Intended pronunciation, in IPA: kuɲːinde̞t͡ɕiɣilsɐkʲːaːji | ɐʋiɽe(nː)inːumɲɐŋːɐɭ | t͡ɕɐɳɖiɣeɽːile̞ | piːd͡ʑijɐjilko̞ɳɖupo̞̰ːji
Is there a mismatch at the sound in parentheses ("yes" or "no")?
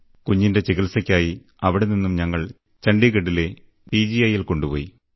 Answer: yes